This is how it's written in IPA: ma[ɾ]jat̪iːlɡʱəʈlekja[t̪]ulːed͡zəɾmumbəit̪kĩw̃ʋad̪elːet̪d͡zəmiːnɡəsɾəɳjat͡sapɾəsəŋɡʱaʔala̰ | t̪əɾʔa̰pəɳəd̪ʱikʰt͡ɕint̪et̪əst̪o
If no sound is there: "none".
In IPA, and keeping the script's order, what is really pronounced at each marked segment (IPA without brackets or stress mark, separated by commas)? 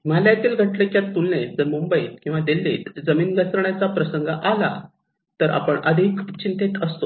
l, t̪